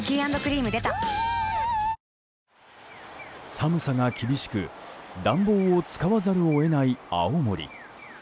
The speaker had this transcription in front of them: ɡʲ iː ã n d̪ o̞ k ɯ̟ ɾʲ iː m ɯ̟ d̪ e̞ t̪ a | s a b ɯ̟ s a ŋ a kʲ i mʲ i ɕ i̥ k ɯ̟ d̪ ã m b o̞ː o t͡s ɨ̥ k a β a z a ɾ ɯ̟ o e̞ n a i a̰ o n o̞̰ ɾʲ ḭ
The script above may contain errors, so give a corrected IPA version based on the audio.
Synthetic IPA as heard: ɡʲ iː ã n d̪ o̞ k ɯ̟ ɾʲ iː m ɯ̟ d̪ e̞ t̪ a | s a m ɯ̟ s a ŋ a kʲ i bʲ i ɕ i̥ k ɯ̟ d̪ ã m b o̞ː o t͡s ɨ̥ k a β a z a ɾ ɯ̟ o e̞ n a i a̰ o m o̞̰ ɾʲ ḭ